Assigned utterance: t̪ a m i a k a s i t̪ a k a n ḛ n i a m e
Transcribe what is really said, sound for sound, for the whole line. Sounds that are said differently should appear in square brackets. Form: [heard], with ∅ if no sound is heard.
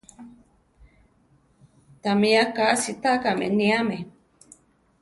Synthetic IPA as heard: t̪ a m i a k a s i t̪ a k a [m] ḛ n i a m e